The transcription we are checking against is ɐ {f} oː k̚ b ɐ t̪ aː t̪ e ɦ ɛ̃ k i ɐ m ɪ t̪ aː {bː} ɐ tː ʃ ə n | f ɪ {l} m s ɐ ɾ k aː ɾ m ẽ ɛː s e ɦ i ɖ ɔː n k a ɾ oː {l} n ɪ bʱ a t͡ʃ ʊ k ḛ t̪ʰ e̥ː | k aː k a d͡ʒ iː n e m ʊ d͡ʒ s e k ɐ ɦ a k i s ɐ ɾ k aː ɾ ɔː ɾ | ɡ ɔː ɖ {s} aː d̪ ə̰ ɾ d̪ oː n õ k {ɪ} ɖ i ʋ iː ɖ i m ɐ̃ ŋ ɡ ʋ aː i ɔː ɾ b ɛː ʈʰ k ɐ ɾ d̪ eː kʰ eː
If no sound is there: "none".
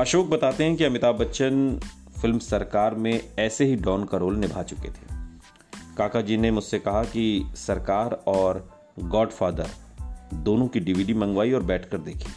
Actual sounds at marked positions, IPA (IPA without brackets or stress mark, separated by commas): ʃ, b, l, l, f, i